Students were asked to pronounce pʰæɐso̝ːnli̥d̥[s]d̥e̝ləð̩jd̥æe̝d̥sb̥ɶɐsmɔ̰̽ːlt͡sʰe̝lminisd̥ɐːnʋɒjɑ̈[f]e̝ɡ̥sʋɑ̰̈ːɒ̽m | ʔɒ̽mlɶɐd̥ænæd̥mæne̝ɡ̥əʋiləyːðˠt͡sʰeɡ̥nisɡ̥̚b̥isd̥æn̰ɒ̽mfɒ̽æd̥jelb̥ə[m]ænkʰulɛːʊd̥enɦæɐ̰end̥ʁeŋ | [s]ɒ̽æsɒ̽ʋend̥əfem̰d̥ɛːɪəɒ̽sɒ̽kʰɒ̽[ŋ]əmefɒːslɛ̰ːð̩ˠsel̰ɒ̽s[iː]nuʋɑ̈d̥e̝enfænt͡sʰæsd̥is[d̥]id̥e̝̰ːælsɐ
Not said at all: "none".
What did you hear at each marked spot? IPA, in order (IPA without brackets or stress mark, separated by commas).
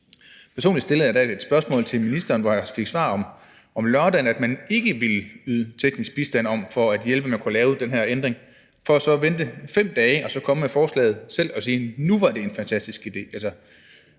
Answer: s, f, m, f, m, iː, ɡ̥